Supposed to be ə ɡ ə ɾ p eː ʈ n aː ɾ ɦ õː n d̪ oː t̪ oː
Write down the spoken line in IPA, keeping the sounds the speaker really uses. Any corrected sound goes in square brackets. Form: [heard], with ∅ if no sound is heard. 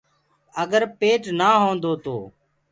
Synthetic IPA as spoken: ə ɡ ə ɾ p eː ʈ n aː [∅] ɦ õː n d̪ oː t̪ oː